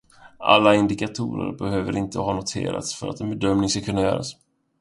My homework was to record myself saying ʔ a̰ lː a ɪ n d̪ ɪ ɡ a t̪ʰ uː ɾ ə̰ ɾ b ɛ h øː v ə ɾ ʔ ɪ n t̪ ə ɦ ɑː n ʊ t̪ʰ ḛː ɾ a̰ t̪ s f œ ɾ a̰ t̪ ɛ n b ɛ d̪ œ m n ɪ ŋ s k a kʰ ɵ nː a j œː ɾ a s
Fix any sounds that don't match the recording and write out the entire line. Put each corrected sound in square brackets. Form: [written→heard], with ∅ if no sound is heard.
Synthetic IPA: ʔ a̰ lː a ɪ n d̪ ɪ [ɡ→k] a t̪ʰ uː ɾ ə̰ ɾ b ɛ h øː v ə ɾ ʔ ɪ n t̪ ə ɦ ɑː n ʊ t̪ʰ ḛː ɾ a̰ t̪ s f œ ɾ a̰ t̪ ɛ n b ɛ d̪ œ m n ɪ ŋ s k a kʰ ɵ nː a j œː ɾ a s